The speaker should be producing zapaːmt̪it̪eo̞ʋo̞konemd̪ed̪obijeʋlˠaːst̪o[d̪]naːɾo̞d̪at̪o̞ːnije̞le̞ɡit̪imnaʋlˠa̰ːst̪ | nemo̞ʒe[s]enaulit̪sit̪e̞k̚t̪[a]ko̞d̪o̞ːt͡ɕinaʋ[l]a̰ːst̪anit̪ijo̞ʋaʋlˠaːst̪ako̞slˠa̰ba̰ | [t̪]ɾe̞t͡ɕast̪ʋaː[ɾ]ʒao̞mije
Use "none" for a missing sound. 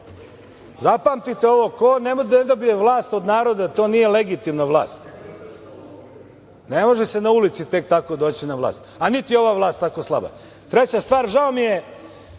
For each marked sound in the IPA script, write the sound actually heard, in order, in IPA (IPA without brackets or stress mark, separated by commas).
d̪, s, a, l, t̪, ɾ